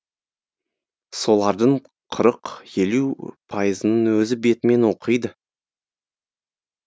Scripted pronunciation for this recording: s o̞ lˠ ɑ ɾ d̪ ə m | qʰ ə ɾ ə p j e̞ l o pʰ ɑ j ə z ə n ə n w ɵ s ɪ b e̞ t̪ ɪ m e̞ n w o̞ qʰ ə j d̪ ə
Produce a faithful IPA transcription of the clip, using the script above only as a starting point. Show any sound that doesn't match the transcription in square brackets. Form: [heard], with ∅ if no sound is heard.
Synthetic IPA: s o̞ lˠ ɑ ɾ d̪ ə [ɴ] | qʰ ə ɾ ə [q] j e̞ l [u] pʰ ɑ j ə z ə n ə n w ɵ [z] ɪ b e̞ t̪ ɪ m e̞ n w o̞ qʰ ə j d̪ ə